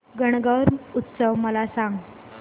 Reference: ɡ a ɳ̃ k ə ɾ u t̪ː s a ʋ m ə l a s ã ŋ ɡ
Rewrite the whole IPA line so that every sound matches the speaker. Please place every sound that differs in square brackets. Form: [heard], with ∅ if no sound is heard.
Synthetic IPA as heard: ɡ [ə] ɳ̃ [ɡ] ə ɾ u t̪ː s [ə] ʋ m ə l a s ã ŋ ɡ